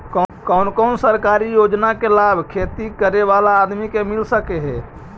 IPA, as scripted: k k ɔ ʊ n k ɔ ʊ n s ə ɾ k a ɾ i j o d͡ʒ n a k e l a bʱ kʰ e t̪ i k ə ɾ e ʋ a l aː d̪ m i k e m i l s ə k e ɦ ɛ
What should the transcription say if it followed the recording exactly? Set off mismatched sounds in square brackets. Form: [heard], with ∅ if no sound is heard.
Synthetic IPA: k k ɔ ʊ n k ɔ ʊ n s ə ɾ k a ɾ i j o d͡ʒ n a k e l a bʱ kʰ e t̪ i k ə ɾ e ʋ a l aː d̪ m i k e m i l s ə k e ɦ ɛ